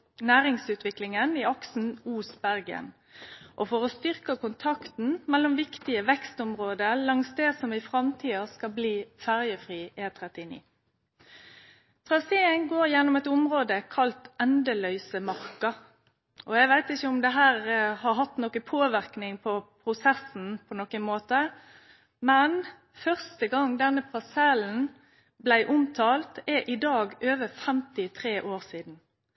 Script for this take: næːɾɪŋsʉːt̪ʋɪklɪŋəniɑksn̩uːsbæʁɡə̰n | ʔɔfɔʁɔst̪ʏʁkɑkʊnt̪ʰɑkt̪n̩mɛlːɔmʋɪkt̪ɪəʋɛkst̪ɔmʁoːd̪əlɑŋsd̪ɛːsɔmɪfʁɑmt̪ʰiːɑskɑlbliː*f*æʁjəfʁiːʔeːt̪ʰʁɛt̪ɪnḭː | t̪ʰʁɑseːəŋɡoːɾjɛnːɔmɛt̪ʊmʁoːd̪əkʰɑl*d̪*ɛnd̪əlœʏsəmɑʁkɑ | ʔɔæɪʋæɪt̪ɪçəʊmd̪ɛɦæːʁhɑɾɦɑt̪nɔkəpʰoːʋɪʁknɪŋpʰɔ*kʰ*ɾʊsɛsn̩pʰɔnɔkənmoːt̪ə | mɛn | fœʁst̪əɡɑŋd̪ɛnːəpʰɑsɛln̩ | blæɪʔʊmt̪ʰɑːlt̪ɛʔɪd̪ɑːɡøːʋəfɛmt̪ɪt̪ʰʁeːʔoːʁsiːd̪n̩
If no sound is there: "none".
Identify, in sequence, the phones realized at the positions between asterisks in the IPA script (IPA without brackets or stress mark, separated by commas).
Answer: f, t̪, pʰ